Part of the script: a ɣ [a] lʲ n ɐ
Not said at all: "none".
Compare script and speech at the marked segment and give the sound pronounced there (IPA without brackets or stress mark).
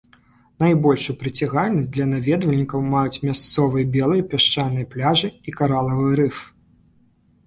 a